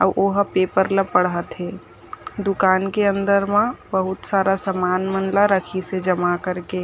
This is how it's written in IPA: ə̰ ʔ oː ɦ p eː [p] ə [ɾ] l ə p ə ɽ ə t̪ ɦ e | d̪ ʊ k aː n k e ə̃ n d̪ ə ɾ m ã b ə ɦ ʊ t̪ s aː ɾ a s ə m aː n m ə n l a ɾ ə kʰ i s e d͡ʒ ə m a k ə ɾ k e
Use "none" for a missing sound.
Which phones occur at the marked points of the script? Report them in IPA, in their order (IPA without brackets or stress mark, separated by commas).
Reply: p, ɾ